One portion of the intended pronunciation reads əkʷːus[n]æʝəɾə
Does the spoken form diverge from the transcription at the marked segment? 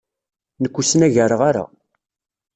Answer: no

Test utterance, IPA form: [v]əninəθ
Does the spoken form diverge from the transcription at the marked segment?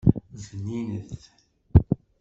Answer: yes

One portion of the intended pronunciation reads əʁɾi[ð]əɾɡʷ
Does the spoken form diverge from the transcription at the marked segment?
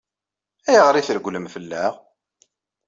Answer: yes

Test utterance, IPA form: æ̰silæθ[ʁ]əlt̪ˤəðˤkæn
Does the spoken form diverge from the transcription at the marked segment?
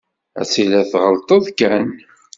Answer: no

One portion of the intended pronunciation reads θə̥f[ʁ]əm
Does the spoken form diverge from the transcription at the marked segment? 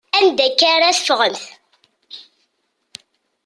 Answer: no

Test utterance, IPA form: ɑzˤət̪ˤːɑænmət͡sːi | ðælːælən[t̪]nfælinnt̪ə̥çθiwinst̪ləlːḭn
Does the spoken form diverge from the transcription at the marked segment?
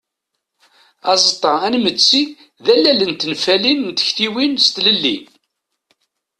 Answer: no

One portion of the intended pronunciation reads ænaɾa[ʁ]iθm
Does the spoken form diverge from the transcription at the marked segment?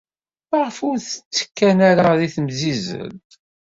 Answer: yes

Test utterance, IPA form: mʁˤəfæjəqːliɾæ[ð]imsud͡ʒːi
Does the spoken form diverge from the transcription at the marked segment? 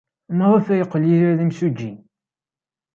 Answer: no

